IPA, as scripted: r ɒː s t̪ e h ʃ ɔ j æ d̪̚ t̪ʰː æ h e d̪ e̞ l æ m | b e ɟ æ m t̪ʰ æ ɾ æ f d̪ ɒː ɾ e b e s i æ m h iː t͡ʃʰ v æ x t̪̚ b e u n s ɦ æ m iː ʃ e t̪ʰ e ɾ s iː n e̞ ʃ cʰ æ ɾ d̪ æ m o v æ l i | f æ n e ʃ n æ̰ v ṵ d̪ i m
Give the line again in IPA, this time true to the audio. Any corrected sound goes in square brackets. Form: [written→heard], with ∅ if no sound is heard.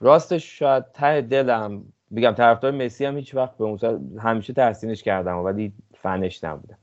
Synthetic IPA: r ɒː s t̪ e [h→ʃ] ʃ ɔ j æ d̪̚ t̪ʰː æ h e d̪ e̞ l æ m | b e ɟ æ m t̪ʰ æ ɾ æ f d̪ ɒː ɾ e [b→m] e s i æ m h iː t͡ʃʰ v æ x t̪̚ b e u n s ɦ æ m iː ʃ e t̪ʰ [e→æ] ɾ s iː n e̞ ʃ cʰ æ ɾ d̪ æ m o v æ l i | f æ n e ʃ n æ̰ [v→b] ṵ d̪ [i→æ] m